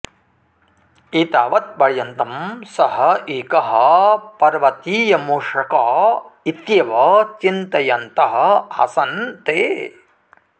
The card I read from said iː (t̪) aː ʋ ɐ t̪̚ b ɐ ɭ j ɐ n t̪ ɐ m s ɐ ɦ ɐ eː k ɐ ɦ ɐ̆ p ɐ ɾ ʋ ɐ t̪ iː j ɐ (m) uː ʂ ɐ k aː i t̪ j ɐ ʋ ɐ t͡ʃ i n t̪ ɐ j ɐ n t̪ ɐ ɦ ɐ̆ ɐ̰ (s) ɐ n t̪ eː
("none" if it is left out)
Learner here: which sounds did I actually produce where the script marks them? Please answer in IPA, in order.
t̪, m, s

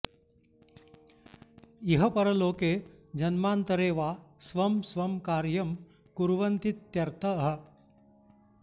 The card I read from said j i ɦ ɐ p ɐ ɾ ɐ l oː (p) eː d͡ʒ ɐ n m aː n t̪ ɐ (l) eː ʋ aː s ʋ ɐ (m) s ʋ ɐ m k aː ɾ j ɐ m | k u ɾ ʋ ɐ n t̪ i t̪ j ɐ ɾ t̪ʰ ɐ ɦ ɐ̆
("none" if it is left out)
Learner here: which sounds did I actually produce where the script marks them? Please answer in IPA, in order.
k, ɾ, m

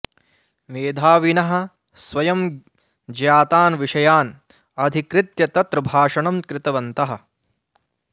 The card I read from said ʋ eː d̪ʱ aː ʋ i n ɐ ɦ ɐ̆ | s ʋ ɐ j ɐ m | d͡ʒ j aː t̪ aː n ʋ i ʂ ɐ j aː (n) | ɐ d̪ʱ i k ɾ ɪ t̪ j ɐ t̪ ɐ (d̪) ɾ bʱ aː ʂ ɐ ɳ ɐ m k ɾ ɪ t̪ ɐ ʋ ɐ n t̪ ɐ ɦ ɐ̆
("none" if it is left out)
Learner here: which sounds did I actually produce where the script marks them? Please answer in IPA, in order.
n, t̪

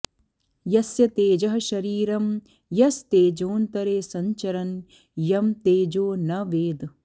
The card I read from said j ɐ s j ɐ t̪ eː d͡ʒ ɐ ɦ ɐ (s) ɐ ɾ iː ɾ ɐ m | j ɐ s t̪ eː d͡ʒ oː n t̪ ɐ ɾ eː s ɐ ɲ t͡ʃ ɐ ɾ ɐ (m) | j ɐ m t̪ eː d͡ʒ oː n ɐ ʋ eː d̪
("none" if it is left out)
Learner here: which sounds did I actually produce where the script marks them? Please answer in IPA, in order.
ʃ, n

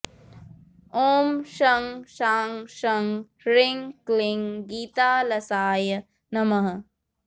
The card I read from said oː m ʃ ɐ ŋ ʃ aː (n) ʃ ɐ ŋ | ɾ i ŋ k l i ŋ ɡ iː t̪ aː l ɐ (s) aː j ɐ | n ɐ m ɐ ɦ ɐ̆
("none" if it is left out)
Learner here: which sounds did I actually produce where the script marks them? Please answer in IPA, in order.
ŋ, s

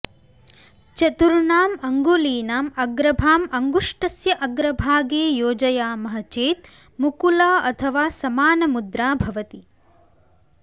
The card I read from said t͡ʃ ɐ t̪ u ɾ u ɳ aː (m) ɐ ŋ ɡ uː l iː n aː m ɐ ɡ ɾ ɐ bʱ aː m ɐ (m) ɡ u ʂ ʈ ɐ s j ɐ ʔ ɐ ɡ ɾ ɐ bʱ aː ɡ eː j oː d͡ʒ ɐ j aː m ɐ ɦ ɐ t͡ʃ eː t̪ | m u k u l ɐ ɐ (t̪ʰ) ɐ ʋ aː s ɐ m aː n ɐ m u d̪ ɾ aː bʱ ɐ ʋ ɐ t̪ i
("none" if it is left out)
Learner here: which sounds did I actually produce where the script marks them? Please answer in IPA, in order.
m, ŋ, t̪ʰ

